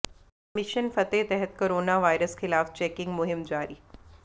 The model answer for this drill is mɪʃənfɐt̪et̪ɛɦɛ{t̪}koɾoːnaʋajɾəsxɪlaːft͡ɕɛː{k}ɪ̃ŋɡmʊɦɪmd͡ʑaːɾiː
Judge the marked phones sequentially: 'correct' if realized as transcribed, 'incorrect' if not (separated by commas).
correct, correct